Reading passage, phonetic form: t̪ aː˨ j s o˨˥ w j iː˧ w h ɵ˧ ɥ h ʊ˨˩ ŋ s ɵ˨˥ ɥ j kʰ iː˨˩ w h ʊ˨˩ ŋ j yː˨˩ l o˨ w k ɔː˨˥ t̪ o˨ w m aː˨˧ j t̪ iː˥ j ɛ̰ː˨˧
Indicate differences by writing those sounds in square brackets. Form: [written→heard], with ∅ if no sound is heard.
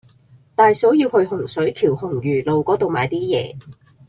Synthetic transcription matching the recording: t̪ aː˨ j s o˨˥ w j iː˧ w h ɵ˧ ɥ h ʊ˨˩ ŋ s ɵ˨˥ ɥ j kʰ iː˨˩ w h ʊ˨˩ ŋ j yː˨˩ l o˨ w k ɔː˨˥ t̪ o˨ w m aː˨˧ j t̪ iː˥ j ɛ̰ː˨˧

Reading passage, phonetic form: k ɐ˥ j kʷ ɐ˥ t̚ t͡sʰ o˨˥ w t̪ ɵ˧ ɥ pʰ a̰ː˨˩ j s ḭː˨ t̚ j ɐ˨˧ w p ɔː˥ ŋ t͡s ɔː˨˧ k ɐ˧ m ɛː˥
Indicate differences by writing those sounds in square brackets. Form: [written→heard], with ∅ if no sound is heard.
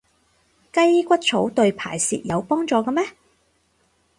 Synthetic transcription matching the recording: k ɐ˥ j kʷ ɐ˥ t̚ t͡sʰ o˨˥ w t̪ ɵ˧ ɥ pʰ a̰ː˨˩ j s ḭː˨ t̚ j ɐ˨˧ w p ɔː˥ ŋ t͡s ɔː˨˧ k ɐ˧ m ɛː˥

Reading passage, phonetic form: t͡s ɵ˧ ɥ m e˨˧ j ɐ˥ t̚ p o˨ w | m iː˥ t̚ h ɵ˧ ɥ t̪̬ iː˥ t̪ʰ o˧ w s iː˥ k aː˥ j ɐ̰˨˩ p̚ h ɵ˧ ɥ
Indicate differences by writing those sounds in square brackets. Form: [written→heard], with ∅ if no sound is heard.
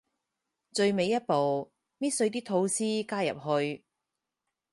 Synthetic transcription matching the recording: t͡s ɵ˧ ɥ m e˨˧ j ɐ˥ t̚ p o˨ w | m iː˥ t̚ [h→s] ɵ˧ ɥ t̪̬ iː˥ t̪ʰ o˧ w s iː˥ k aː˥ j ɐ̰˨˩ p̚ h ɵ˧ ɥ

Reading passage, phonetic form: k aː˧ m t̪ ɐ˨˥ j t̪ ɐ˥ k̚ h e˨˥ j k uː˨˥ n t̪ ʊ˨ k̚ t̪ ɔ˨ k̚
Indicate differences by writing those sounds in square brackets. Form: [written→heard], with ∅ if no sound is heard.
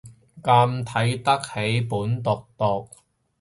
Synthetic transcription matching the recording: k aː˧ m [t̪→t̪ʰ] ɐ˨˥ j t̪ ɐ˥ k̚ h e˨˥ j [k→p] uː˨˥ n t̪ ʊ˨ k̚ t̪ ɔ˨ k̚

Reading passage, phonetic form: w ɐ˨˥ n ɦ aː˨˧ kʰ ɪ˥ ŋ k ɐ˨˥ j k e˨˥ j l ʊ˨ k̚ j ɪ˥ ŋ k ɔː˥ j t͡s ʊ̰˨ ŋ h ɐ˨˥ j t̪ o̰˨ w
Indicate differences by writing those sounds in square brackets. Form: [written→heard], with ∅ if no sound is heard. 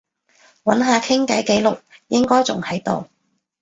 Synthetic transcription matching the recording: w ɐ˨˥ n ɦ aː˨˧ kʰ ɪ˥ ŋ k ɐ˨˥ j k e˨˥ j l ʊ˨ k̚ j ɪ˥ ŋ k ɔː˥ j t͡s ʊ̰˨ ŋ h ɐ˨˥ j t̪ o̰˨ w

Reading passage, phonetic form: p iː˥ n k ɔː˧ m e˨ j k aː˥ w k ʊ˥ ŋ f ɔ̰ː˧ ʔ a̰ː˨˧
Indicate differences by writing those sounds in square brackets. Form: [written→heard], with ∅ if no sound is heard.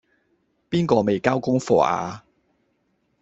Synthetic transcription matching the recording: p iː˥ n k ɔː˧ m e˨ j k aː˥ w k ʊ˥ ŋ f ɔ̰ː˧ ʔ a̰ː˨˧

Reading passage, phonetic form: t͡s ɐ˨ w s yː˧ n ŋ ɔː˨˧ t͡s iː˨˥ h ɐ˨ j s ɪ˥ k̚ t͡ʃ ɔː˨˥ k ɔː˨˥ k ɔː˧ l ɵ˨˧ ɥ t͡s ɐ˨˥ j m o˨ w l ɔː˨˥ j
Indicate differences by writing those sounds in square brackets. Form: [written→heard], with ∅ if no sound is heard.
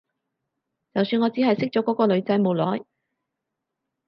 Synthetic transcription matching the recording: t͡s ɐ˨ w s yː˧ n ŋ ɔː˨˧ t͡s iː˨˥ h ɐ˨ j s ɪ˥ k̚ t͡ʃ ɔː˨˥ k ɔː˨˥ k ɔː˧ l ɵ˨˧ ɥ t͡s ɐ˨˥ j m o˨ w l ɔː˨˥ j

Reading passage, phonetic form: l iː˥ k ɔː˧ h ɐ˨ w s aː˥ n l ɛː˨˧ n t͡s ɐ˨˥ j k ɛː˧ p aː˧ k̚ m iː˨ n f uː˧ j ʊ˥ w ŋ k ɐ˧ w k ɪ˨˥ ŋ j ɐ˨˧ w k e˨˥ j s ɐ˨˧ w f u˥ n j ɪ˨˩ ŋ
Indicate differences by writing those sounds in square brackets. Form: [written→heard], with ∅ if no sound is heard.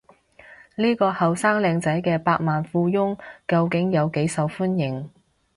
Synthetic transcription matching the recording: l iː˥ k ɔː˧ h ɐ˨ w s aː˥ [n→ŋ] l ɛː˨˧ [n→ŋ] t͡s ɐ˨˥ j k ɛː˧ p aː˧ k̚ m [iː˨→aː˨] n f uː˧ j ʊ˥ [w→∅] ŋ k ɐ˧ w k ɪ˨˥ ŋ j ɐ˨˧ w k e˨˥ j s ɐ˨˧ w f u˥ n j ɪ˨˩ ŋ

